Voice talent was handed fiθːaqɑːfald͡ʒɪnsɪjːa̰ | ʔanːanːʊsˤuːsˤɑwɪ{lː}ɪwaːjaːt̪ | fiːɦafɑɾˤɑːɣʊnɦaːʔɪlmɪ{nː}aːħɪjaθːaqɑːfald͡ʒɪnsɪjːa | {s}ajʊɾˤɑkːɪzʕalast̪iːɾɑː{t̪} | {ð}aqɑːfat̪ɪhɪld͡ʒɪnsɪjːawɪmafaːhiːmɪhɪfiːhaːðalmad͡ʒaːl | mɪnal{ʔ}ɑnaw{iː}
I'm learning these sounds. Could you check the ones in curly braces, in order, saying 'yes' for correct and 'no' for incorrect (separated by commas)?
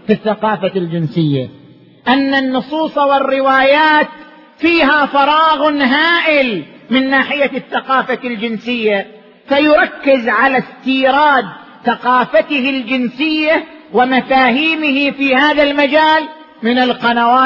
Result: no, yes, no, no, no, no, no